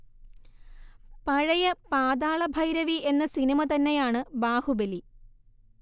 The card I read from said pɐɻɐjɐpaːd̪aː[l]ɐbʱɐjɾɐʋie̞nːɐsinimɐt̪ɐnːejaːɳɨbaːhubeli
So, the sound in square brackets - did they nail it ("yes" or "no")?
no